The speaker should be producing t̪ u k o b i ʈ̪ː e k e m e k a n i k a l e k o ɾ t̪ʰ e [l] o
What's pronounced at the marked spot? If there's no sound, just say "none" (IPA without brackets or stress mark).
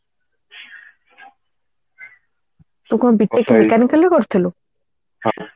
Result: l